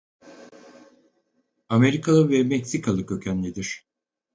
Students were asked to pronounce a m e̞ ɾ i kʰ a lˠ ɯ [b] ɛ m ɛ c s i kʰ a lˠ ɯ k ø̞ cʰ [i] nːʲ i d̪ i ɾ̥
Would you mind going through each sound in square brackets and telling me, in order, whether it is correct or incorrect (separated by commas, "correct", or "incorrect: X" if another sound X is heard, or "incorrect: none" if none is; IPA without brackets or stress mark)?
incorrect: v, incorrect: æ